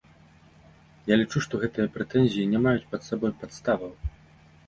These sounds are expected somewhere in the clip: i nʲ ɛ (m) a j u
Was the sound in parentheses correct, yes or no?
yes